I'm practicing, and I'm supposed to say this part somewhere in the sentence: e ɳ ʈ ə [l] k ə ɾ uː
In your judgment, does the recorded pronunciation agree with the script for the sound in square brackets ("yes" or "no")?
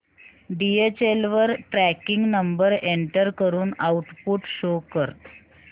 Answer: no